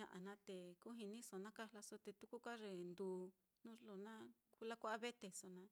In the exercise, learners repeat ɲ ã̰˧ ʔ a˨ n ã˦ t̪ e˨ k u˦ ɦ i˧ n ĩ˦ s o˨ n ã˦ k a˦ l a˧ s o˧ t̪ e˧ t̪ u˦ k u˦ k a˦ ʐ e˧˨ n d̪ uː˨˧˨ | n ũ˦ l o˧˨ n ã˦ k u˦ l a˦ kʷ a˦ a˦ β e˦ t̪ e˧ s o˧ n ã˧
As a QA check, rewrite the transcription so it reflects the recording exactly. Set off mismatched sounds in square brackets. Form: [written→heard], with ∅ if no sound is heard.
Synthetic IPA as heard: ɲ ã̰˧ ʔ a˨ n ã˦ t̪ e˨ k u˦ ɦ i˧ n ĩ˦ s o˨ n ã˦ k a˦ l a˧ s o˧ t̪ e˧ t̪ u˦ k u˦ k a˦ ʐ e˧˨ n d̪ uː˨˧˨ | n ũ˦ l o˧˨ n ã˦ k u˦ l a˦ kʷ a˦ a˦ β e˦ t̪ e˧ s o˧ n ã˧